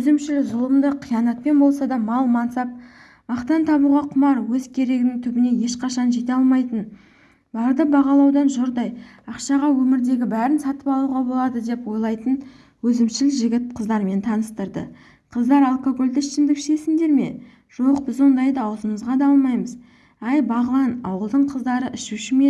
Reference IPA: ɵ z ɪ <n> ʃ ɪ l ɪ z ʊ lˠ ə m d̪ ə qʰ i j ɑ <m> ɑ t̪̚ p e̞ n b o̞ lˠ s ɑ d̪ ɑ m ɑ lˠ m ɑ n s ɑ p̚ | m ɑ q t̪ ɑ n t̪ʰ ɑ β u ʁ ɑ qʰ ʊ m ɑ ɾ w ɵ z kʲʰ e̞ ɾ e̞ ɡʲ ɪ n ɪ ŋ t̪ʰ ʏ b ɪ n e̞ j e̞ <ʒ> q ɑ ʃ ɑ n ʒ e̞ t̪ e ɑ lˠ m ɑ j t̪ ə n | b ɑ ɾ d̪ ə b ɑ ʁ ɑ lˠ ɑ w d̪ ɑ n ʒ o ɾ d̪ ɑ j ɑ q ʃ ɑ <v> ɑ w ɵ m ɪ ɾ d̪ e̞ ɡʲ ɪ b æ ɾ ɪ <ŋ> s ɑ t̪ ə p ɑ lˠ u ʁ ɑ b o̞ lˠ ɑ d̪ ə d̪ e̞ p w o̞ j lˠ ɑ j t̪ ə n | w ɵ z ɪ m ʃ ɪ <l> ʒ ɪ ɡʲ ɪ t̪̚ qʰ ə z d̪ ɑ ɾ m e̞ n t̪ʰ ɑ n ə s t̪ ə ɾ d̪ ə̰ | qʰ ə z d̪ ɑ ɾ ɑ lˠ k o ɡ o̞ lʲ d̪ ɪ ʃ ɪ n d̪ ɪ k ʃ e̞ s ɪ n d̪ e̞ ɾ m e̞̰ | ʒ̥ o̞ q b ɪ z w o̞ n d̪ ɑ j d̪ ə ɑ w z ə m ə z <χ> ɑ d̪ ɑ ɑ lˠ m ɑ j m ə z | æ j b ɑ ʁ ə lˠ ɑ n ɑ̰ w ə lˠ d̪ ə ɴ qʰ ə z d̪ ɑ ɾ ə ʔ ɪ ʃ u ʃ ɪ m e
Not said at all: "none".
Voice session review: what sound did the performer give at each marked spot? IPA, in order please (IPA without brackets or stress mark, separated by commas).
m, n, ʃ, ʁ, n, l, ʁ